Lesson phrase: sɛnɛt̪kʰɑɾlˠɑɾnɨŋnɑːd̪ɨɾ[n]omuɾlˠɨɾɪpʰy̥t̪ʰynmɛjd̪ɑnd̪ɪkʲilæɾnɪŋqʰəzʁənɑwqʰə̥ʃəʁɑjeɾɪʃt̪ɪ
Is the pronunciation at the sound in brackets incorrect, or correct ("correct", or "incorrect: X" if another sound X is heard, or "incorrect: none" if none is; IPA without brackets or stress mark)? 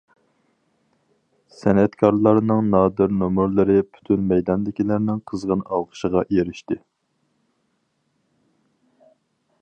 correct